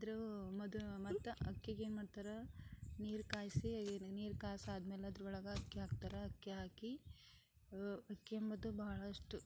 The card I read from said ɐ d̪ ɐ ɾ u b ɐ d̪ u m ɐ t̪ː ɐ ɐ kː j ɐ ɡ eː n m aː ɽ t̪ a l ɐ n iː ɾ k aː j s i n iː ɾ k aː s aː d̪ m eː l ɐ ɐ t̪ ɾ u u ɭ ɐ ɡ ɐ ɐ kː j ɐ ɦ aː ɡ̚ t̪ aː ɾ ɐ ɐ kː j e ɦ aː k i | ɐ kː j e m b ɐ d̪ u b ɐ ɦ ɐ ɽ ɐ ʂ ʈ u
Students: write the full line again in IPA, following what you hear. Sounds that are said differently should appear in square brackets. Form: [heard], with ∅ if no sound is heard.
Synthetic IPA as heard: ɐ d̪ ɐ ɾ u [m] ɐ d̪ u m ɐ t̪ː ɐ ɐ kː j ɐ ɡ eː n m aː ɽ t̪ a [ɾ] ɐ n iː ɾ k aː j s i n iː ɾ k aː s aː d̪ m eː l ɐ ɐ [d̪] ɾ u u ɭ ɐ ɡ ɐ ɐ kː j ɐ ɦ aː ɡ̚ t̪ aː ɾ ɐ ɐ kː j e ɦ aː k i | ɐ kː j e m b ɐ d̪ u b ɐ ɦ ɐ [ɭ] ɐ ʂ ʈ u